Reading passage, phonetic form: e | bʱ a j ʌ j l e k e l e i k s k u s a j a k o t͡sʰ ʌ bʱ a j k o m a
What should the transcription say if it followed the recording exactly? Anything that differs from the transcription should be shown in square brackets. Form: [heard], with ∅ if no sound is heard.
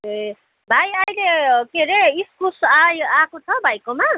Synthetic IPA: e | bʱ a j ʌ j l e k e [ɾ] e i [∅] s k u s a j a k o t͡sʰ ʌ bʱ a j k o m a